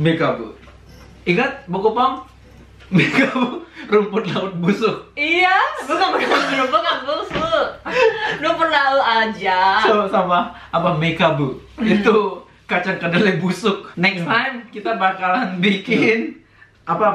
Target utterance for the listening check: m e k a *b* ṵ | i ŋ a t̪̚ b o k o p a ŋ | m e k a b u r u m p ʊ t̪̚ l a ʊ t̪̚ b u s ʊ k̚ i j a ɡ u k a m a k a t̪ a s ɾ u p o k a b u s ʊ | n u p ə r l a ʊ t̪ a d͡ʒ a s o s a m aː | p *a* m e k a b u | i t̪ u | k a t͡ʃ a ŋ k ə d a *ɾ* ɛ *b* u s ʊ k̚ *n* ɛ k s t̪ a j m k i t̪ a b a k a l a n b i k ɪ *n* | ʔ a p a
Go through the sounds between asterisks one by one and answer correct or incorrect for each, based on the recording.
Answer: correct, correct, incorrect: l, correct, correct, correct

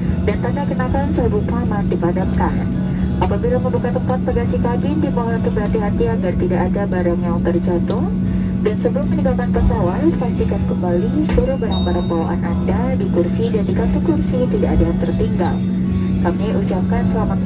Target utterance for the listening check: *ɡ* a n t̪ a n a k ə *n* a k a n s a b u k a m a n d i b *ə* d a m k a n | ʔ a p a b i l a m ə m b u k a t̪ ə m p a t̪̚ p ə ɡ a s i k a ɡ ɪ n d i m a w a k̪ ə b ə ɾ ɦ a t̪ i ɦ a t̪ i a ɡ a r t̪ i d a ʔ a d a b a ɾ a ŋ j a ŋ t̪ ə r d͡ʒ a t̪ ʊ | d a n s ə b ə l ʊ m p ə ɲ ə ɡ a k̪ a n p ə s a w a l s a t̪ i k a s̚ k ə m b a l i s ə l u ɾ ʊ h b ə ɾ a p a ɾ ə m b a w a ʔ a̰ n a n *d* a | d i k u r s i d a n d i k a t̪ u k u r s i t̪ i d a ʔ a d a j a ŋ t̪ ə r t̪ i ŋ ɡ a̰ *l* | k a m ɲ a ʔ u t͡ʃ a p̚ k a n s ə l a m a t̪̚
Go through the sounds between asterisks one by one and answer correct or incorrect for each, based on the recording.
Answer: incorrect: d, correct, incorrect: a, correct, correct

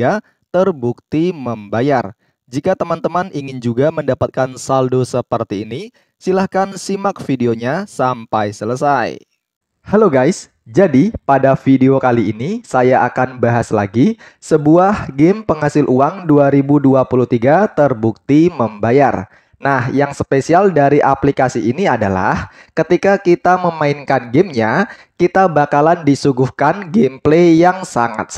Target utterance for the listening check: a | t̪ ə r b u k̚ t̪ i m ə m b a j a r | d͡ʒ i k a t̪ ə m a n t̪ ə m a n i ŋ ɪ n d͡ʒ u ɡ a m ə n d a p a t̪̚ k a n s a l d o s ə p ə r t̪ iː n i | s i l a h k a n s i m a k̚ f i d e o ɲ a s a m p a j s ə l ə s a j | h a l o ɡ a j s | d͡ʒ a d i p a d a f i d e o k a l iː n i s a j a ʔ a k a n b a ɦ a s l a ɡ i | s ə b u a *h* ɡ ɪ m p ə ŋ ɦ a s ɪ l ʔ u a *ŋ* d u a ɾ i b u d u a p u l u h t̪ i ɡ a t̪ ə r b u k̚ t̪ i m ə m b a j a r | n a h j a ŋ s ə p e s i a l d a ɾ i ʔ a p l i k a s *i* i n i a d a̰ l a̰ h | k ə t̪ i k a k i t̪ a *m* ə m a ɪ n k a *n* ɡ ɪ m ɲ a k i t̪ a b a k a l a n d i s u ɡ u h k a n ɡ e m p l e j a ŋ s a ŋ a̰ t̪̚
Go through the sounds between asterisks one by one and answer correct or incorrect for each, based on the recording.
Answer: correct, correct, correct, correct, correct

